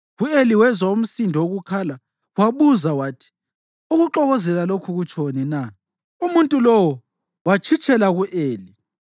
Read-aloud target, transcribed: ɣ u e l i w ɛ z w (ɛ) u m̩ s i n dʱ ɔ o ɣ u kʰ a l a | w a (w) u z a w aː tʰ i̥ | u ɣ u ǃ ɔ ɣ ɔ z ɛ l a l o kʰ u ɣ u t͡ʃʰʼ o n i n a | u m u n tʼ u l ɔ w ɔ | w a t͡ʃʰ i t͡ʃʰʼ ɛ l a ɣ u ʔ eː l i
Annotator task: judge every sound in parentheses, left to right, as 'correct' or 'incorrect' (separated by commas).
incorrect, incorrect